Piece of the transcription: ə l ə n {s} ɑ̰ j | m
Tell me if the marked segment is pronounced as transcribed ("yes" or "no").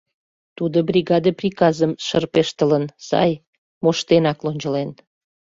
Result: yes